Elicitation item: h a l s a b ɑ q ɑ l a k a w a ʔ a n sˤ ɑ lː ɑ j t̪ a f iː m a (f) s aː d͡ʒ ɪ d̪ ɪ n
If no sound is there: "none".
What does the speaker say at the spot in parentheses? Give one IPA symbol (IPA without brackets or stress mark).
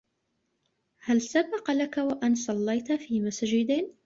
none